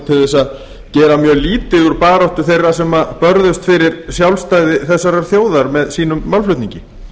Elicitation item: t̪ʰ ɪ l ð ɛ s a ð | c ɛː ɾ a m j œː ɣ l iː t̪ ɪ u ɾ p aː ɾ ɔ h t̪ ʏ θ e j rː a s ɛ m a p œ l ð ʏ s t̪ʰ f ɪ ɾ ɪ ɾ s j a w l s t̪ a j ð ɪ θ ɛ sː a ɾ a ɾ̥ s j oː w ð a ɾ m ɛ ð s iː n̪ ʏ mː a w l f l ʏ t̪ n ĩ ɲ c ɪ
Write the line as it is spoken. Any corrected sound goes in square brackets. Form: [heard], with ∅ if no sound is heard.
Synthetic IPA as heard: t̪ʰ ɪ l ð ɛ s a ð | c ɛː ɾ a m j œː ɣ l iː t̪ ɪ u ɾ p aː ɾ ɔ h t̪ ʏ θ e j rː a s ɛ m a p œ [ɾ] ð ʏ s [t̪] f ɪ ɾ ɪ ɾ s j a w l s t̪ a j ð ɪ θ ɛ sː a ɾ a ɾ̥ [θ] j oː w ð a ɾ m ɛ ð s iː n̪ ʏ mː a w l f l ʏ t̪ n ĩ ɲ c ɪ